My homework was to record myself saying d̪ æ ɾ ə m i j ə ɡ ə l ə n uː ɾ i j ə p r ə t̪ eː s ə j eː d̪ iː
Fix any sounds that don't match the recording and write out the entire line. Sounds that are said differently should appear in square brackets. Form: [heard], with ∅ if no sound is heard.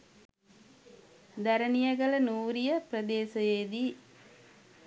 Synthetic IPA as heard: d̪ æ ɾ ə [n] i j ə ɡ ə l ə n uː ɾ i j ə p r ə [d̪] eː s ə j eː d̪ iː